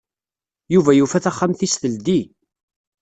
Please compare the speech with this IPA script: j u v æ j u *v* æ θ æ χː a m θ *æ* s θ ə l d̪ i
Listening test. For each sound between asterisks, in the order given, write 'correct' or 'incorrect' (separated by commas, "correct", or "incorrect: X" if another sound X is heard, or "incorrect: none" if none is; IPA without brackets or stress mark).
incorrect: f, incorrect: i